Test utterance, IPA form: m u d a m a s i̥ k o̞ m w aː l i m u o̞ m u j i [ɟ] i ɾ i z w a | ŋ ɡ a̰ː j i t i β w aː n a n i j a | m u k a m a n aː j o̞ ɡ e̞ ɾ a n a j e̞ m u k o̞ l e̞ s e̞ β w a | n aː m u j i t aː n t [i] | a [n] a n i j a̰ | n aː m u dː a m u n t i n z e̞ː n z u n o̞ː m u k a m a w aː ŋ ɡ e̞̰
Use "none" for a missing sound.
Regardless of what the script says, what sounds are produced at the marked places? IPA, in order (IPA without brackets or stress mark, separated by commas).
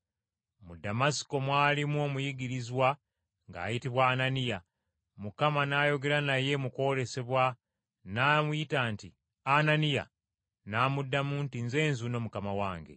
ɡ, i, n